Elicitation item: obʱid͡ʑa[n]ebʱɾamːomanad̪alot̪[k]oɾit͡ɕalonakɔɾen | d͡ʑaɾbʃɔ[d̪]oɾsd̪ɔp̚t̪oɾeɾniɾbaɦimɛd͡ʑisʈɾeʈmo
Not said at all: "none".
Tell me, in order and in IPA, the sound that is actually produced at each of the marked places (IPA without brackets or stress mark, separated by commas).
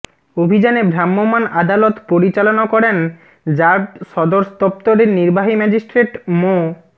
n, p, d̪